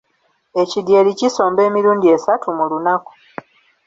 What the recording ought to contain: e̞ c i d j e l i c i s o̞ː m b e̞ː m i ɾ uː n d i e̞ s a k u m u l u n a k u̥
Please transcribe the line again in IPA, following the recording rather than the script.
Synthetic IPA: e̞ c i d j e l i c i s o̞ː m b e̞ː m i ɾ uː n d i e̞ s a t u m u l u n a k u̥